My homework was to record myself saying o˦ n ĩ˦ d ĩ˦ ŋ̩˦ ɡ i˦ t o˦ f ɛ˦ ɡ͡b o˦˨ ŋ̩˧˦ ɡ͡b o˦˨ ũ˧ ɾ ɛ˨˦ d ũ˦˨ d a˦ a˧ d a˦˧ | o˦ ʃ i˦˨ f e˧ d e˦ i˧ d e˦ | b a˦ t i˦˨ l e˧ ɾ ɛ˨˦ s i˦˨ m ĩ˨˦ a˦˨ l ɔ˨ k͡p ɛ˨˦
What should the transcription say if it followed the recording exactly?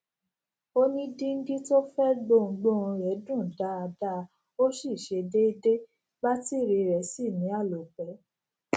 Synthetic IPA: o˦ n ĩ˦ d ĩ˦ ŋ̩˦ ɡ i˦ t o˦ f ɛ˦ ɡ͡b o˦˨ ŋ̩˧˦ ɡ͡b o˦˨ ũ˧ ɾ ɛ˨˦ d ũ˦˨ d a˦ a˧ d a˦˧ | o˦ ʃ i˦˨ ʃ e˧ d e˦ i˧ d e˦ | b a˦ t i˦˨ ɾ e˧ ɾ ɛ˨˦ s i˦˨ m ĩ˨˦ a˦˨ l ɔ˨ k͡p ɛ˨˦